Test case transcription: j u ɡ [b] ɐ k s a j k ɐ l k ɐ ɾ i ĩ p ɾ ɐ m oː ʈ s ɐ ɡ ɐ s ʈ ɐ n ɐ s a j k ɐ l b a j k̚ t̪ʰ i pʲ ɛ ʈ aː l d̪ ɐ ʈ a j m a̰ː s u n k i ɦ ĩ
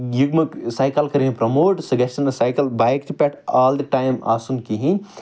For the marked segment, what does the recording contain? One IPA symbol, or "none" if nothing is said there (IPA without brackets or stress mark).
m